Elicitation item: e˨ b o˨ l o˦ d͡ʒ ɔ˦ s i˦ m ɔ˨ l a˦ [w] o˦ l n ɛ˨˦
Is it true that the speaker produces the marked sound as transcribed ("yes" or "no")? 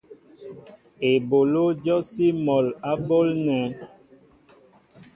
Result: no